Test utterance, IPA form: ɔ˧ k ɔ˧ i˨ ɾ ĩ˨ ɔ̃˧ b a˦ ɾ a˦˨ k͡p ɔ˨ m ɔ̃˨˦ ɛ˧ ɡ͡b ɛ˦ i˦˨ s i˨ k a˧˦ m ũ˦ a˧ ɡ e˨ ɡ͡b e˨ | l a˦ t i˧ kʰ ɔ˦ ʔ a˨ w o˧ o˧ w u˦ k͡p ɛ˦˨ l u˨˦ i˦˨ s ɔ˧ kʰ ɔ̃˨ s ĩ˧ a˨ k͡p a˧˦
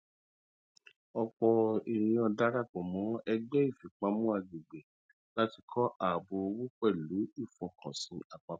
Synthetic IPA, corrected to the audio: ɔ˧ k͡p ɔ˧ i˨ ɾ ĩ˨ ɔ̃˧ d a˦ ɾ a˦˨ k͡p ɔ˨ m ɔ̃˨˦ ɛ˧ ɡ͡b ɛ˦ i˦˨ f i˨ k͡p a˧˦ m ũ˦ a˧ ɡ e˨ ɡ͡b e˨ | l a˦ t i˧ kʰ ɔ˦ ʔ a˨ b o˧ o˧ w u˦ k͡p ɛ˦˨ l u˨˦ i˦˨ f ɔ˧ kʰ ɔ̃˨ s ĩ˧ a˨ k͡p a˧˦